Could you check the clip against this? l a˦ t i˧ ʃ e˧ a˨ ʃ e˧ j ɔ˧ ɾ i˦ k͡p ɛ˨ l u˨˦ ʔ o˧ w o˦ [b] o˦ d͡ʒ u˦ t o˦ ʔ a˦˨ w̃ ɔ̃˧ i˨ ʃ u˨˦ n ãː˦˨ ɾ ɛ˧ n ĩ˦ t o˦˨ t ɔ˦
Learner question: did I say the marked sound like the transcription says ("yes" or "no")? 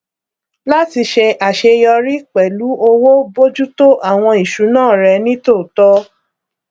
yes